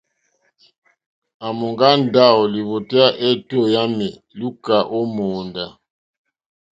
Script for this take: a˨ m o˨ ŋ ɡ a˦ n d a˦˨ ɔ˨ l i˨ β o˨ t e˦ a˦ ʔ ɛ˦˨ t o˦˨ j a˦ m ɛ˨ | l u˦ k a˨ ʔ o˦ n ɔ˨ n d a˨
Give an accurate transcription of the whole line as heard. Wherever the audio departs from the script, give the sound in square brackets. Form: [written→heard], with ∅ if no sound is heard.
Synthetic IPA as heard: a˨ m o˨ ŋ ɡ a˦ n d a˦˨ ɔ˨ l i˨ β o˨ t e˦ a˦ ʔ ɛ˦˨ t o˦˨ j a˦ m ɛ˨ | l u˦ k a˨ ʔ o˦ [n→m] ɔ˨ n d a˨